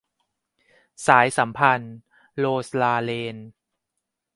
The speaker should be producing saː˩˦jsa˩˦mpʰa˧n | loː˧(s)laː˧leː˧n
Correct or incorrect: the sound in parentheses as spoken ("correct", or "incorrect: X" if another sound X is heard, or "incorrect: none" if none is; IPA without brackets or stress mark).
correct